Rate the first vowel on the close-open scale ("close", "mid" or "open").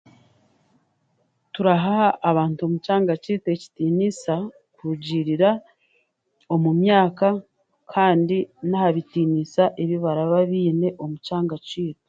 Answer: close